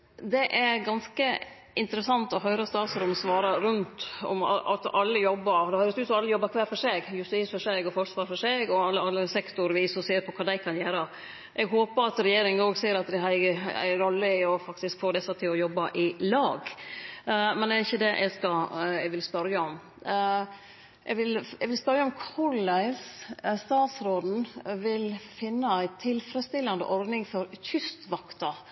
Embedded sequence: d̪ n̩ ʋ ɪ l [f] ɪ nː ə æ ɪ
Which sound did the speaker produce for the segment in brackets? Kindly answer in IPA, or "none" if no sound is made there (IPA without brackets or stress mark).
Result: f